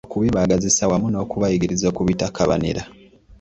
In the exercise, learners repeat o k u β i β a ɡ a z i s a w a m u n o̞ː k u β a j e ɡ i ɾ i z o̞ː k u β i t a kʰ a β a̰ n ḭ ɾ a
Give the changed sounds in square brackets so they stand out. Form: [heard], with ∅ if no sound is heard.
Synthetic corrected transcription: o k u β i β a ɡ a z i s a w a m u n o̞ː k u β a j [i] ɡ i ɾ i z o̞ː k u β i t a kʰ a β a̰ n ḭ ɾ a